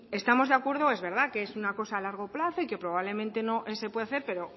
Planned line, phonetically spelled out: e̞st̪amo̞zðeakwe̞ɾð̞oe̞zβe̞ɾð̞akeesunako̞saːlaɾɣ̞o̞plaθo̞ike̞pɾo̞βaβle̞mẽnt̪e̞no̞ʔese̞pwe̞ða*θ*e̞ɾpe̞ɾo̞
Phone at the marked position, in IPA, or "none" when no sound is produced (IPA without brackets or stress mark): θ